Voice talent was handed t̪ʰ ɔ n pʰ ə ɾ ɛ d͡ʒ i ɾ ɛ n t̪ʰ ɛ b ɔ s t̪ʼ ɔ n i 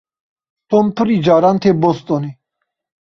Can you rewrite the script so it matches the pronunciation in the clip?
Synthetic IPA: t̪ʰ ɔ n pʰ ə ɾ i d͡ʒ a ɾ a n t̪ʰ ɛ b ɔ s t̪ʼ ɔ n i